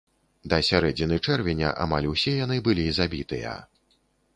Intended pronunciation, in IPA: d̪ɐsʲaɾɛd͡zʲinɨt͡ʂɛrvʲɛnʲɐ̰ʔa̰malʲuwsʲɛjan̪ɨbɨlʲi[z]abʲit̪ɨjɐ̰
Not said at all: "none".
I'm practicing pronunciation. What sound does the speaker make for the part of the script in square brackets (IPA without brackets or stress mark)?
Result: z